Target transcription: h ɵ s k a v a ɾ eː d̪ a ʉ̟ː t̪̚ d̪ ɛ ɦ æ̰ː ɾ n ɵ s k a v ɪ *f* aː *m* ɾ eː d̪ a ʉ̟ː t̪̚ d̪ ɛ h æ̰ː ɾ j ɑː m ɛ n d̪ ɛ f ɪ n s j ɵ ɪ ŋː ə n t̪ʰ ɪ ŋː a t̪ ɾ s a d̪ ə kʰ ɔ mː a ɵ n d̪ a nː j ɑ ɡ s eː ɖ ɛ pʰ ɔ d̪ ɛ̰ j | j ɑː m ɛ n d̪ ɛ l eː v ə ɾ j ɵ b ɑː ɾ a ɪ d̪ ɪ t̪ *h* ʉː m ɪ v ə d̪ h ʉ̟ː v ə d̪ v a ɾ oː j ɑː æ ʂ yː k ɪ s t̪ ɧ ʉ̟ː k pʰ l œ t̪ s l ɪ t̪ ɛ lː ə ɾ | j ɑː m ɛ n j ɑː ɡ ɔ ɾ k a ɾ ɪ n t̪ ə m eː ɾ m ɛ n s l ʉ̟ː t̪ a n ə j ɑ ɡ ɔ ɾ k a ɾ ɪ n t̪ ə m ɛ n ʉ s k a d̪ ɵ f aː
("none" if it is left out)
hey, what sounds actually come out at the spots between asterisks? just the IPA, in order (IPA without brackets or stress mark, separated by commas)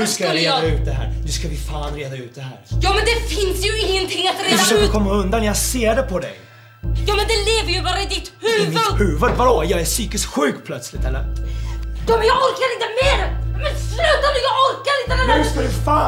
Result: f, n, h